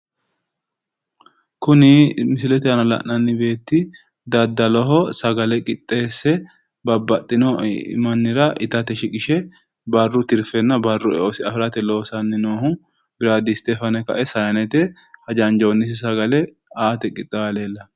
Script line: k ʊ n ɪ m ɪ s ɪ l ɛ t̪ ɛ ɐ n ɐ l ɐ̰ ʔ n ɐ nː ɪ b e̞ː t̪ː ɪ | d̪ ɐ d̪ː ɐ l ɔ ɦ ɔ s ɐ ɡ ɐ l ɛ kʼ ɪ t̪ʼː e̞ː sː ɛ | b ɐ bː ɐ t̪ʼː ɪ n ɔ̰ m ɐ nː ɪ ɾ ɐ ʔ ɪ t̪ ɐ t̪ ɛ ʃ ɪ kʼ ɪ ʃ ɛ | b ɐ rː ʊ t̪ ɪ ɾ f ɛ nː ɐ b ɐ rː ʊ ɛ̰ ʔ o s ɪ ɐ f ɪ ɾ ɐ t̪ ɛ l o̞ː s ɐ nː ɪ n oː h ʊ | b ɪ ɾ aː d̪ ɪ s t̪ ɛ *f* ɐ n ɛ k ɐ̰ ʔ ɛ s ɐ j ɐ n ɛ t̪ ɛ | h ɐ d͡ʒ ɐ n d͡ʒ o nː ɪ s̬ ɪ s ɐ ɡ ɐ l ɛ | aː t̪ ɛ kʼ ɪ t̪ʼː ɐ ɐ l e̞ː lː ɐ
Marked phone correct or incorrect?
correct